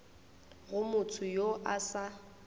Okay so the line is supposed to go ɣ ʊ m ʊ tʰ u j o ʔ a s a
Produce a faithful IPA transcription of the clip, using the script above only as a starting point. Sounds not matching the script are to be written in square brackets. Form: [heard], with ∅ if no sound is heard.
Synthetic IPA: ɣ ʊ m ʊ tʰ [ʊ] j o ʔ a s a